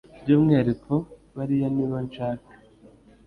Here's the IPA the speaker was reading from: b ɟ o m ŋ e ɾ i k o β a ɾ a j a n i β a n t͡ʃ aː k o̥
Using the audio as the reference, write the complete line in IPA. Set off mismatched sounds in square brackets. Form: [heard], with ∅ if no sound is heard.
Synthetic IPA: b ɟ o m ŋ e ɾ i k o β a ɾ [i] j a n i β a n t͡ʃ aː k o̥